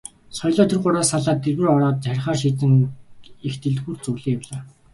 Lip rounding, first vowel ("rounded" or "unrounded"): rounded